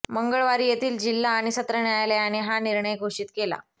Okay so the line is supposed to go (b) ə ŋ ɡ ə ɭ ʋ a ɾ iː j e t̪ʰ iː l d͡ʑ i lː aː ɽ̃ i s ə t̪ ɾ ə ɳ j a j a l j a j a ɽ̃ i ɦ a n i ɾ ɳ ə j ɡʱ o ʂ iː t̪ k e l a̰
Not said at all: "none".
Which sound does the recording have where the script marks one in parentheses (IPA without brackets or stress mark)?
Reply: m